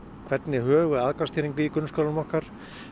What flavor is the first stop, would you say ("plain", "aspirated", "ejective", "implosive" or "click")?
aspirated